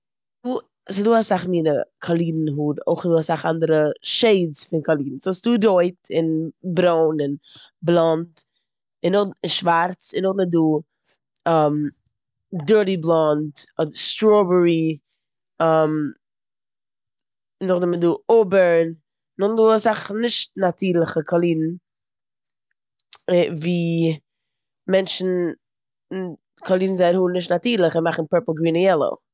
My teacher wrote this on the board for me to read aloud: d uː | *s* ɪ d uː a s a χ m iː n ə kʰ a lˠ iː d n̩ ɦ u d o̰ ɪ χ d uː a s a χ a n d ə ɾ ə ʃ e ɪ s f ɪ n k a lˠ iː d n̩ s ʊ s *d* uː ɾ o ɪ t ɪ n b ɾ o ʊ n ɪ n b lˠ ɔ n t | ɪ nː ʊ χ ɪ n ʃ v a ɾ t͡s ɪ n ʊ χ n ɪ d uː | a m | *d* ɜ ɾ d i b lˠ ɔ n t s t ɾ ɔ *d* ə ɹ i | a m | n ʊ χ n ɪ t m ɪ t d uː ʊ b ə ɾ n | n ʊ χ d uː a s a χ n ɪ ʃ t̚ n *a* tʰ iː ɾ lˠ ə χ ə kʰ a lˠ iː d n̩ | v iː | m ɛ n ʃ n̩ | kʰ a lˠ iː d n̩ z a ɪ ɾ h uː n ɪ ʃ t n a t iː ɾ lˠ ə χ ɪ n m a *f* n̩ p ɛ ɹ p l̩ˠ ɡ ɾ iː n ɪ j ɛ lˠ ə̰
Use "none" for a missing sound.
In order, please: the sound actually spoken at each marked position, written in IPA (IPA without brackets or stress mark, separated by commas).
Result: s, d, d, b, a, χ